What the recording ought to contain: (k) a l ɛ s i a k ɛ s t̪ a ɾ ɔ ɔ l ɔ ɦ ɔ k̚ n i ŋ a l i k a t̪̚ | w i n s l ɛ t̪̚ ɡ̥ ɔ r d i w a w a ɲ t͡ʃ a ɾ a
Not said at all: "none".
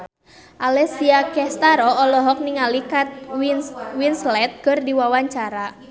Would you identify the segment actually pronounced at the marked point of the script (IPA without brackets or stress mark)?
ʔ